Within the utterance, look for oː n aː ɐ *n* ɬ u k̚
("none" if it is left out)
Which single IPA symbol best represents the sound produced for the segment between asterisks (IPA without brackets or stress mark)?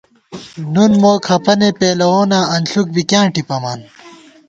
n